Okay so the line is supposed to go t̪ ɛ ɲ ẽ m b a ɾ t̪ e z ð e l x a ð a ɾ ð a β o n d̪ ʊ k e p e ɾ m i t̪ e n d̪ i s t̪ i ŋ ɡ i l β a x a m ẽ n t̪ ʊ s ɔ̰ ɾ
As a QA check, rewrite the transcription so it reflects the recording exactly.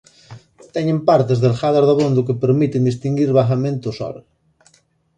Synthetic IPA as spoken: t̪ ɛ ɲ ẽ m p a ɾ t̪ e z ð e l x a ð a ɾ ð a β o n d̪ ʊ k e p e ɾ m i t̪ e n d̪ i s t̪ i ŋ ɡ i ɾ β a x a m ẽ n t̪ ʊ s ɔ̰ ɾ